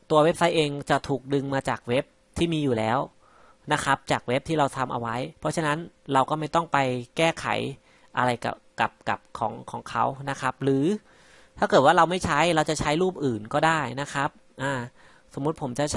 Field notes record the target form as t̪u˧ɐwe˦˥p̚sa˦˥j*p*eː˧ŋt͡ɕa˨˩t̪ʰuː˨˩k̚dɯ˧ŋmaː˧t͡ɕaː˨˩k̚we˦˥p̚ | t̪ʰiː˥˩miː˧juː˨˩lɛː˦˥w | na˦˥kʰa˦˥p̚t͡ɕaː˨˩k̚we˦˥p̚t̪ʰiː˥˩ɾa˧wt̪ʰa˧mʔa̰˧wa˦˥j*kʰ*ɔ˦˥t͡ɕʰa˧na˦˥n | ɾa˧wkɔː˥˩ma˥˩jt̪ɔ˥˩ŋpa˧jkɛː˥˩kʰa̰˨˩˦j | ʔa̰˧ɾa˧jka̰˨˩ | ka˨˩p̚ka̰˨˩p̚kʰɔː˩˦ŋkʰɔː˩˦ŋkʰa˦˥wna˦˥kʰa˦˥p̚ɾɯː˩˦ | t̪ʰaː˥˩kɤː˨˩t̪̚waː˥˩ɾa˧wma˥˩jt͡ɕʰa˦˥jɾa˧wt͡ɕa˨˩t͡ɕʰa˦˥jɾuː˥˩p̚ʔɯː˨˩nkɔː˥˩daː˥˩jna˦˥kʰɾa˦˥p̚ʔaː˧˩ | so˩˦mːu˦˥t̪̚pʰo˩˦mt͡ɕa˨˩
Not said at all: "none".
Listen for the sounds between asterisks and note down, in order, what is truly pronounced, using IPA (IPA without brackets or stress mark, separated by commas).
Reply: ʔ, pʰ